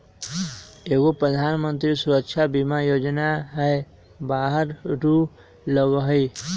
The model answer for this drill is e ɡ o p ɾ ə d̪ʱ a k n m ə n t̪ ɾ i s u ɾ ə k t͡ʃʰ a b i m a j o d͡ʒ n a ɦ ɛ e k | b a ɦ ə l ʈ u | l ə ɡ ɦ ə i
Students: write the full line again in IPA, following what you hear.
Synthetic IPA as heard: e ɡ o p ɾ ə d̪ʱ a n m ə n t̪ ɾ i s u ɾ ə k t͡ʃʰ a b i m a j o d͡ʒ n a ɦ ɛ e | b a ɦ ə ɾ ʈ u | l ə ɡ ɦ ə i